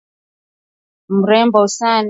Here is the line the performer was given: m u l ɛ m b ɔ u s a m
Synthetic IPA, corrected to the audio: m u ɾ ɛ m b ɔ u s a n